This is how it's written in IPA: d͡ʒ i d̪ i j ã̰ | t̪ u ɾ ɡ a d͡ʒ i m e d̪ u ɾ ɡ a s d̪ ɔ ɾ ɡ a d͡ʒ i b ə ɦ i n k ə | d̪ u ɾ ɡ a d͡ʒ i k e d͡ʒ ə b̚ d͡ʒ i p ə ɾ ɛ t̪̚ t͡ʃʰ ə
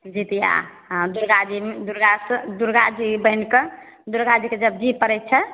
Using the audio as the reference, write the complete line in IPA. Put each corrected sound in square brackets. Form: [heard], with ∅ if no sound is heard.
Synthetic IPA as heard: d͡ʒ i [t̪] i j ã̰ | [d̪] u ɾ ɡ a d͡ʒ i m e d̪ u ɾ ɡ a s d̪ [u] ɾ ɡ a d͡ʒ i b ə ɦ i n k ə | d̪ u ɾ ɡ a d͡ʒ i k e d͡ʒ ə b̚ d͡ʒ i p ə ɾ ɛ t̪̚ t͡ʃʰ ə